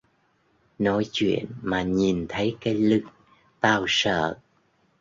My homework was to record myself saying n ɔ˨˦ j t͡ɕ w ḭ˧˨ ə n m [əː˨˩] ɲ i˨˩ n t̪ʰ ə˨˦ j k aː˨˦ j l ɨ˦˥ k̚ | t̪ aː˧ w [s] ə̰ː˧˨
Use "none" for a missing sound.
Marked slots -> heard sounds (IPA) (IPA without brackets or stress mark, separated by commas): aː˨˩, s